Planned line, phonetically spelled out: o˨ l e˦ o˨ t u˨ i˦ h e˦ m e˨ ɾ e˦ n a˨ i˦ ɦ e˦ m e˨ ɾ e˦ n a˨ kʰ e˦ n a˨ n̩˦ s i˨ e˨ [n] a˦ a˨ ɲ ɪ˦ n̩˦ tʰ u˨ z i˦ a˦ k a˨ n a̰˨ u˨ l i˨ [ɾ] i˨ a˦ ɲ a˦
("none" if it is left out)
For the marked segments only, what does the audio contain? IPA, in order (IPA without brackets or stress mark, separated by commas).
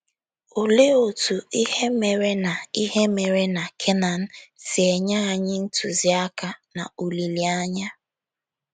ɲ, l